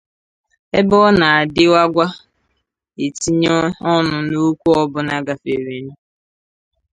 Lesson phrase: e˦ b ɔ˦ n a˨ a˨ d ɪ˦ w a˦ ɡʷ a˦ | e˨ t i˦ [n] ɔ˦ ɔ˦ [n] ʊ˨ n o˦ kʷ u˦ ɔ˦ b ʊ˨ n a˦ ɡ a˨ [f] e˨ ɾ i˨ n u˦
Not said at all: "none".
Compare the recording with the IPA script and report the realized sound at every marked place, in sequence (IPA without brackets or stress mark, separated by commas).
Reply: ɲ, n, f